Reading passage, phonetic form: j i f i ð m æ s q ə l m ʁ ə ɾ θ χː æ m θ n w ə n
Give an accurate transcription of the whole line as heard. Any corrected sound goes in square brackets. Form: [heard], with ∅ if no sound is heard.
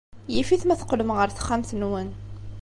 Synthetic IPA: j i f i [θ] m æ [θ] q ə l m ʁ ə ɾ θ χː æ m θ n w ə n